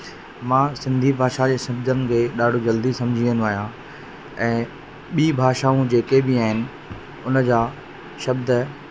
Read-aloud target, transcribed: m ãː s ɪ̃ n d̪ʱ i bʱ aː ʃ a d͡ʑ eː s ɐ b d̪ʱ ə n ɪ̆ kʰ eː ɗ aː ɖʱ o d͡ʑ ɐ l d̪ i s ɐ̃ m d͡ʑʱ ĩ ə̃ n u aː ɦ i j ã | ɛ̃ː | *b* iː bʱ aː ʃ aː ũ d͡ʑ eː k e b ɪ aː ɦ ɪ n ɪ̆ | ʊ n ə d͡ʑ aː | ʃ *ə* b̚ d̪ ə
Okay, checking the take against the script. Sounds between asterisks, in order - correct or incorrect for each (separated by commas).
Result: incorrect, incorrect